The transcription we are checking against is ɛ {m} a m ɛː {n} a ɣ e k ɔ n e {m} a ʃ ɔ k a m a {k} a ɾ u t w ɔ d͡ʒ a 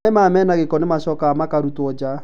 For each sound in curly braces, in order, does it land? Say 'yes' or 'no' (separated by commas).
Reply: yes, yes, yes, yes